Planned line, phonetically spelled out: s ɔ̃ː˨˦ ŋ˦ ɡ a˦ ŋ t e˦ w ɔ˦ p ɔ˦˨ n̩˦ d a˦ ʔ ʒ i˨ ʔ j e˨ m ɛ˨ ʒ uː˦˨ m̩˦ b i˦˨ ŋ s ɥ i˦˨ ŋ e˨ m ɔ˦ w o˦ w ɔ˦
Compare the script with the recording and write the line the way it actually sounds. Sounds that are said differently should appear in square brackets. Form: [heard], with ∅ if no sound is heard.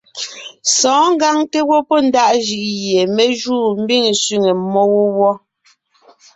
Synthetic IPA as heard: s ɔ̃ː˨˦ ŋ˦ ɡ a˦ ŋ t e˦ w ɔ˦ p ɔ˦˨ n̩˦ d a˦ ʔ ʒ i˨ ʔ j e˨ m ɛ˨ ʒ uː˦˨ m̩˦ b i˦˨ ŋ s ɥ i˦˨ ŋ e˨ m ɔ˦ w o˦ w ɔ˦

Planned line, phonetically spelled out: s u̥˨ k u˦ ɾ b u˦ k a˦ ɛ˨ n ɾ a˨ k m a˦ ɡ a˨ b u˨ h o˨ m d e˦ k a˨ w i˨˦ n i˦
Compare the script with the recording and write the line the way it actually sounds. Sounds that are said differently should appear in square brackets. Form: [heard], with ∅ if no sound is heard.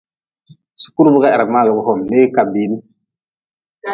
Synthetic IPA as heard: s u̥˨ k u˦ ɾ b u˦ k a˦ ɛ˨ [∅] ɾ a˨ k m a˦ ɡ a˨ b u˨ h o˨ m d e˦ k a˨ [b] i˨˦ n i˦

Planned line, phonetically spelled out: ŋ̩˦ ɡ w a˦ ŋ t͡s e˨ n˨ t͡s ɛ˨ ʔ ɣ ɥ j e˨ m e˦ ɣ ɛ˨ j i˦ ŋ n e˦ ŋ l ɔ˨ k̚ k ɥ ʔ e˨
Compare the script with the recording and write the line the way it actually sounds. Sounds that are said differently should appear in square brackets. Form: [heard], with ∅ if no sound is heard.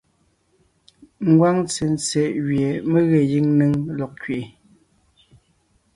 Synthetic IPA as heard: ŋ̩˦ ɡ w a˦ ŋ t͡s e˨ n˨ t͡s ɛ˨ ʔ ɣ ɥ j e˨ m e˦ ɣ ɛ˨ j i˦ ŋ n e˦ ŋ l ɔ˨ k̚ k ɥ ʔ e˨

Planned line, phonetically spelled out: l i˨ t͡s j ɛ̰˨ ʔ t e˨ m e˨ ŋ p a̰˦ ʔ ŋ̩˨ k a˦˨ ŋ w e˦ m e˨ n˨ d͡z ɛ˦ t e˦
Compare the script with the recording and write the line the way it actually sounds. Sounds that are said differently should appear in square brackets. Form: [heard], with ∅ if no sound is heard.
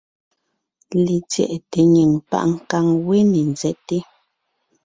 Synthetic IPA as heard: l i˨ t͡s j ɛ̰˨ ʔ t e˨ [ɲ] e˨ ŋ p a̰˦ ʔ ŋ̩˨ k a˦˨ ŋ w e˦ [n] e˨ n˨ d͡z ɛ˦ t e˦

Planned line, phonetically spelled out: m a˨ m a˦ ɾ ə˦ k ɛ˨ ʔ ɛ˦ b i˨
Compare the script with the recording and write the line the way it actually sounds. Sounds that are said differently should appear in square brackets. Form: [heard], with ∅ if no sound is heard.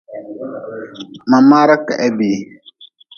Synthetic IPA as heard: m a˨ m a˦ ɾ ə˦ k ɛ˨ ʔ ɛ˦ b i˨

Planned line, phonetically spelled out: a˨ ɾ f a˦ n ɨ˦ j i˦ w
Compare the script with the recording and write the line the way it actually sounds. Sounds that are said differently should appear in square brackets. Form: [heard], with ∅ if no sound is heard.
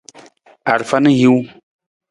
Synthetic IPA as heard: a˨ ɾ f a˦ n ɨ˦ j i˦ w

